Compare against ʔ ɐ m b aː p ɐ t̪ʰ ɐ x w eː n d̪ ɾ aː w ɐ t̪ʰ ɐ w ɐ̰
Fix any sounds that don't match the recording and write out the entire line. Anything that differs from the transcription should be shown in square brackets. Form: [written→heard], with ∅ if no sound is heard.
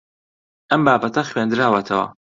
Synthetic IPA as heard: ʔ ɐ m b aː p ɐ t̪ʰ ɐ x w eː n d̪ ɾ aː w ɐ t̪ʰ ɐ w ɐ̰